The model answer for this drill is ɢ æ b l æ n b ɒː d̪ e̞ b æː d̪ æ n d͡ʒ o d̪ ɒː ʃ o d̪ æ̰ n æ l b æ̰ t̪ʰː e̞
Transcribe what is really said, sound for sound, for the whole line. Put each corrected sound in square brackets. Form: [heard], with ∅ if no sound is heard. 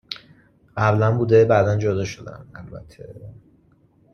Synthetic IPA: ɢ æ b l æ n b [uː] d̪ e̞ b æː d̪ æ n d͡ʒ o d̪ ɒː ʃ o d̪ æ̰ n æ l b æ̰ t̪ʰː e̞